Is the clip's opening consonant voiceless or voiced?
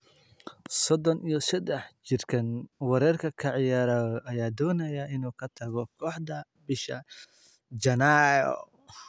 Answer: voiceless